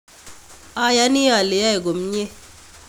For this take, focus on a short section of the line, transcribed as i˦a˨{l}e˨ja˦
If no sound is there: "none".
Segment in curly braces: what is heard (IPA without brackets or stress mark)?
l